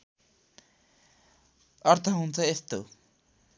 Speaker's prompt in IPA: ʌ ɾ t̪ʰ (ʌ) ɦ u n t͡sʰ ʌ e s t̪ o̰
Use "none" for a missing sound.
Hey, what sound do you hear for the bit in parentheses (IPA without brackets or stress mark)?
ʌ